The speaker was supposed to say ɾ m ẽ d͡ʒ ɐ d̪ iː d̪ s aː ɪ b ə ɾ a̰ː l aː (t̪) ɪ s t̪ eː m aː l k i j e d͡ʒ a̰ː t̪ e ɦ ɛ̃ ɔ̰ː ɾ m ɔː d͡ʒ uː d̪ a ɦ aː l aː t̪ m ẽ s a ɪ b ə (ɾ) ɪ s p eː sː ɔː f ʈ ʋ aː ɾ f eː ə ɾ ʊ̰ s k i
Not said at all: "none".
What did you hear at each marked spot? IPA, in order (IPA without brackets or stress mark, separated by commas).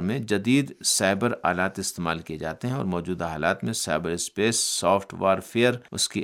t̪, ɾ